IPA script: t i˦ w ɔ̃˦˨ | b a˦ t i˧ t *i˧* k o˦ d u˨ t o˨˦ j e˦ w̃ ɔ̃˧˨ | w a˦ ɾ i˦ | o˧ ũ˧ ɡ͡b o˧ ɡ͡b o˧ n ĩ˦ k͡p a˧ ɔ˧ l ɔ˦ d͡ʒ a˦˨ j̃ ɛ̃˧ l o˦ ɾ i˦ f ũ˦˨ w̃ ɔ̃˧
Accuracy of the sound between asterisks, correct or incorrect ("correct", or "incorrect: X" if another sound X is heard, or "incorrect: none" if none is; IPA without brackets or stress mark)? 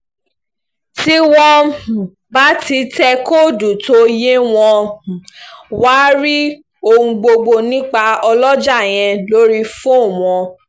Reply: incorrect: ɛ˧